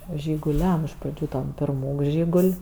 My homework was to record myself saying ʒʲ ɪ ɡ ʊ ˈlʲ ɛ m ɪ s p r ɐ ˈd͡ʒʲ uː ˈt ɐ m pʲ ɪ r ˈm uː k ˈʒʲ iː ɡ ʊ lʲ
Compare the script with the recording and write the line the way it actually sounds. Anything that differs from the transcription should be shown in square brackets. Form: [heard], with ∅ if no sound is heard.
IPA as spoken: ʒʲ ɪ ɡ ʊ ˈlʲ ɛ m ɪ [ʃ] p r ɐ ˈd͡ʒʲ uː ˈt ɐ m pʲ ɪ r ˈm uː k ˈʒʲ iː ɡ ʊ lʲ

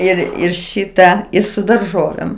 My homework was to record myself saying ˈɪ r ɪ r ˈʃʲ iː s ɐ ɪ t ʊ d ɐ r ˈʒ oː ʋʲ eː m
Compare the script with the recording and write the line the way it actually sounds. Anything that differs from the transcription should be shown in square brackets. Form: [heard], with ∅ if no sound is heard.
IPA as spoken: ˈɪ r ɪ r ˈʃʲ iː [t] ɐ ɪ [s] ʊ d ɐ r ˈʒ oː ʋʲ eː m

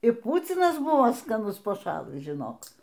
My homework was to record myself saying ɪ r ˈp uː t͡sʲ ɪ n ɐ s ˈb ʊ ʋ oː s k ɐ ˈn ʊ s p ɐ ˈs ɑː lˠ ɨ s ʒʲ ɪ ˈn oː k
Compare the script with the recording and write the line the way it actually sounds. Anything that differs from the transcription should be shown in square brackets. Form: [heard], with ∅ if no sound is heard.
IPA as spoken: ɪ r ˈp uː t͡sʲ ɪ n ɐ s ˈb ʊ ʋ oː s k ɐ ˈn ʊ s p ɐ [ˈʃ] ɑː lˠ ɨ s ʒʲ ɪ ˈn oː k

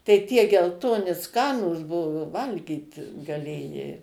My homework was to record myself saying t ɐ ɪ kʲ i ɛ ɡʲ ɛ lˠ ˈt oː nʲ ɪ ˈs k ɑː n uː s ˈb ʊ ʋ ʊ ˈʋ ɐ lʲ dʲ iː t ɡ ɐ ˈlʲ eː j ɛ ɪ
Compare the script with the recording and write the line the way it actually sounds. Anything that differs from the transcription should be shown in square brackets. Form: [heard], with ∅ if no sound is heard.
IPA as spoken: t ɐ ɪ [tʲ] i ɛ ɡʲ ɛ lˠ ˈt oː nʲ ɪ ˈs k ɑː n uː s ˈb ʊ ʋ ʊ ˈʋ ɐ lʲ [ɡʲ] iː t ɡ ɐ ˈlʲ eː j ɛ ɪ

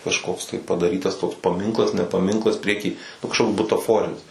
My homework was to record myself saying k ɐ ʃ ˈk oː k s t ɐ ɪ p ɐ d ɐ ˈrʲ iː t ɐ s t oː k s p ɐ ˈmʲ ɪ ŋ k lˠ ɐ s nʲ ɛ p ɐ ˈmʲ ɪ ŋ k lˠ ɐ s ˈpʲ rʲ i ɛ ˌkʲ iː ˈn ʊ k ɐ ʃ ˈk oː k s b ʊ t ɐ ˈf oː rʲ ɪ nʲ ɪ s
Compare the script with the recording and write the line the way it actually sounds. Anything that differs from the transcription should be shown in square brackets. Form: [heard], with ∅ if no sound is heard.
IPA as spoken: k ɐ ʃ ˈk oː k s t ɐ ɪ p ɐ d ɐ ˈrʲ iː t ɐ s t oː k s p ɐ ˈmʲ ɪ ŋ k lˠ ɐ s nʲ ɛ p ɐ ˈmʲ ɪ ŋ k lˠ ɐ s ˈpʲ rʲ i ɛ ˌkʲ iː ˈn ʊ k ɐ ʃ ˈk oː k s b ʊ t ɐ ˈf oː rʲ ɪ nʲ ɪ s

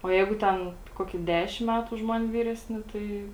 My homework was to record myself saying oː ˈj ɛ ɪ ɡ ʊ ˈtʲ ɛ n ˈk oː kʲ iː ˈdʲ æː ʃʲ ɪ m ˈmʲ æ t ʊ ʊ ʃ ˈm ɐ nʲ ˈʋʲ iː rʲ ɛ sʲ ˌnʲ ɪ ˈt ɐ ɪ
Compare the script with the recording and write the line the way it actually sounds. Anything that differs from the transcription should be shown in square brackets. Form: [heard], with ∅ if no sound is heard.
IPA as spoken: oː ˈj ɛ ɪ ɡ ʊ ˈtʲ ɛ n ˈk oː kʲ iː ˈdʲ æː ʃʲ ɪ m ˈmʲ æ t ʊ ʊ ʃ ˈm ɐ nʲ ˈʋʲ iː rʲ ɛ sʲ ˌnʲ ɪ ˈt ɐ ɪ

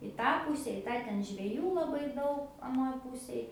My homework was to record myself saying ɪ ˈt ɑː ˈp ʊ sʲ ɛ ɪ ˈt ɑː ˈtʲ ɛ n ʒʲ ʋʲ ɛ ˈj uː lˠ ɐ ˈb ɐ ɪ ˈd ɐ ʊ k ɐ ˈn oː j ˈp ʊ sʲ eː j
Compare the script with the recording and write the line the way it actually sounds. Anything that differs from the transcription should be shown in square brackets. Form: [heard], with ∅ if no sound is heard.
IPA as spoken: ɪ ˈt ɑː ˈp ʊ sʲ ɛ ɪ ˈt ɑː ˈtʲ ɛ n ʒʲ ʋʲ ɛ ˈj uː lˠ ɐ ˈb ɐ ɪ ˈd ɐ ʊ k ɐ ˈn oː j ˈp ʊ sʲ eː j

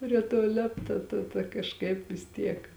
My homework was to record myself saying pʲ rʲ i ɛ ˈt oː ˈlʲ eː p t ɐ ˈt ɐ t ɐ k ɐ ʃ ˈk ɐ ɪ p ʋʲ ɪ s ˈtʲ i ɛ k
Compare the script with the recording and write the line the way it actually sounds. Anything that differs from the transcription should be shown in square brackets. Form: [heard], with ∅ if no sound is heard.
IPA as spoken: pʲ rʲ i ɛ ˈt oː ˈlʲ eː p t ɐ ˈt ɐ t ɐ k ɐ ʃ ˈk ɐ ɪ p ʋʲ ɪ s ˈtʲ i ɛ k

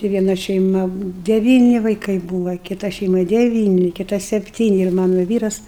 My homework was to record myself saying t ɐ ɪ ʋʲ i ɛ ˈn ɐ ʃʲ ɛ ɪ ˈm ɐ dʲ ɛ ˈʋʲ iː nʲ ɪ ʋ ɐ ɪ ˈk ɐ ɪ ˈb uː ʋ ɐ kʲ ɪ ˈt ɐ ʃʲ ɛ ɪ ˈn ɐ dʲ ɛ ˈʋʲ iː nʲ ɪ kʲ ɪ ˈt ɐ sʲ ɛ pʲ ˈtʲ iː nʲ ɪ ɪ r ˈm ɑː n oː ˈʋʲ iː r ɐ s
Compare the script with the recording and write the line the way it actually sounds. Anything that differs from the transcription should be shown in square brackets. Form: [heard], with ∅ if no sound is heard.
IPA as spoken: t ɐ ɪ ʋʲ i ɛ ˈn ɐ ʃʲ ɛ ɪ ˈm ɐ dʲ ɛ ˈʋʲ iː nʲ ɪ ʋ ɐ ɪ ˈk ɐ ɪ ˈb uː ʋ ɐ kʲ ɪ ˈt ɐ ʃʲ ɛ ɪ [ˈm] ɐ dʲ ɛ ˈʋʲ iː nʲ ɪ kʲ ɪ ˈt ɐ sʲ ɛ pʲ ˈtʲ iː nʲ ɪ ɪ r ˈm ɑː n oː ˈʋʲ iː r ɐ s

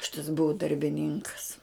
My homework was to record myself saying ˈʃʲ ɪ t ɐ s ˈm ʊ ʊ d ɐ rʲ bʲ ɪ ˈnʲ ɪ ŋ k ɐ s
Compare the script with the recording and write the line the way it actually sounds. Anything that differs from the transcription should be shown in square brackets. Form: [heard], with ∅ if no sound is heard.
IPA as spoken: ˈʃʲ ɪ t ɐ s [ˈb] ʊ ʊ d ɐ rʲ bʲ ɪ ˈnʲ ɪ ŋ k ɐ s

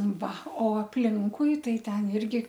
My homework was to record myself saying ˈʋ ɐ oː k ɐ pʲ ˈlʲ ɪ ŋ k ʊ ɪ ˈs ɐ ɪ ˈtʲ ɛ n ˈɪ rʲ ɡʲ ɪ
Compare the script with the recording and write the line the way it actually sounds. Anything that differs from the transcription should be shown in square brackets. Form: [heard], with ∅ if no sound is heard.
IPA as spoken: ˈʋ ɐ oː [∅] ɐ pʲ ˈlʲ ɪ ŋ k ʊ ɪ [ˈt] ɐ ɪ ˈtʲ ɛ n ˈɪ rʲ ɡʲ ɪ

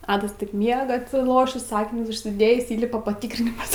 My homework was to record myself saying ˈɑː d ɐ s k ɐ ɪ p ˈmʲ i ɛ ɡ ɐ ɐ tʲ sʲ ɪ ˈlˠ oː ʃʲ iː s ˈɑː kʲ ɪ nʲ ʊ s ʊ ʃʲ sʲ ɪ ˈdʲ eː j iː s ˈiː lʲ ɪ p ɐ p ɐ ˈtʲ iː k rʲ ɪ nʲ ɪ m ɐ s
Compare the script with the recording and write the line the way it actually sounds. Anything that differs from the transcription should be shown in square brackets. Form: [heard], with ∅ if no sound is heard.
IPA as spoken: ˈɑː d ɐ s [t] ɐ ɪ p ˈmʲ i ɛ ɡ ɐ ɐ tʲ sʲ ɪ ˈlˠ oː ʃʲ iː s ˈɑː kʲ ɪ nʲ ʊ s ʊ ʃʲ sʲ ɪ ˈdʲ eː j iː s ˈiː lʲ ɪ p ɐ p ɐ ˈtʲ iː k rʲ ɪ nʲ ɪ m ɐ s

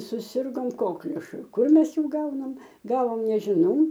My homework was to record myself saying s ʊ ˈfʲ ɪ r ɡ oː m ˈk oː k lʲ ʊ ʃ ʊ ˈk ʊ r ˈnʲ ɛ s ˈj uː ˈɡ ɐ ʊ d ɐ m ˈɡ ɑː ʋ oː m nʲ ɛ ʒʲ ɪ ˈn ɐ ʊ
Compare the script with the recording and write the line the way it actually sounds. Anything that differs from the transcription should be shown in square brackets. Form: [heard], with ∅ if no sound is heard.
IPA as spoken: s ʊ [ˈsʲ] ɪ r ɡ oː m ˈk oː k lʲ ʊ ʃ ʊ ˈk ʊ r [ˈmʲ] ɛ s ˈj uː ˈɡ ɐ ʊ [n] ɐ m ˈɡ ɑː ʋ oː m nʲ ɛ ʒʲ ɪ ˈn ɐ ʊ

